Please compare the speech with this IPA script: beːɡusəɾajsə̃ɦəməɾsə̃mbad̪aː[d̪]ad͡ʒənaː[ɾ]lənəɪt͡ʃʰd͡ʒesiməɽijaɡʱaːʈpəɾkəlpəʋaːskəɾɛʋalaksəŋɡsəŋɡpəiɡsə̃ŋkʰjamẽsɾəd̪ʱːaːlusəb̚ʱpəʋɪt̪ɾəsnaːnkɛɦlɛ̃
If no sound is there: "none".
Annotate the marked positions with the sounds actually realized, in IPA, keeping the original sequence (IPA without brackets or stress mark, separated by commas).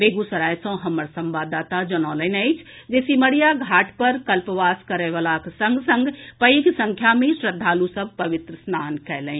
t̪, none